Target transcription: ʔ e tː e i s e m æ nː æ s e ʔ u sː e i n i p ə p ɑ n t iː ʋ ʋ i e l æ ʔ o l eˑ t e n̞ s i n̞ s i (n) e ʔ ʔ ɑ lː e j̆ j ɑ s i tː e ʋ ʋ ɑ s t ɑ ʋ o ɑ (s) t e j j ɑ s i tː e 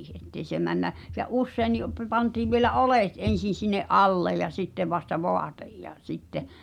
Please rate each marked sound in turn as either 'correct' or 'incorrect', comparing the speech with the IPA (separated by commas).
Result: incorrect, incorrect